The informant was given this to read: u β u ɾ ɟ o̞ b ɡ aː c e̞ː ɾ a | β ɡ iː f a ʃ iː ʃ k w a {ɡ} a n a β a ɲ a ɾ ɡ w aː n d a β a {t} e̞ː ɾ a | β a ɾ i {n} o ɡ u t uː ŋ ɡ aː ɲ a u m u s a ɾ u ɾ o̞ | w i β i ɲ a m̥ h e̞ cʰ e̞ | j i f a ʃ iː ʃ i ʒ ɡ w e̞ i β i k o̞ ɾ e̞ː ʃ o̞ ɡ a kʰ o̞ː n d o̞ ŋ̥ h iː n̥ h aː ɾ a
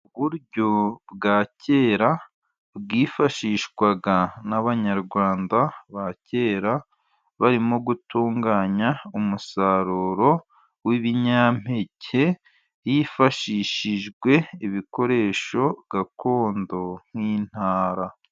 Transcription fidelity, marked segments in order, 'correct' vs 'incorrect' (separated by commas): correct, incorrect, incorrect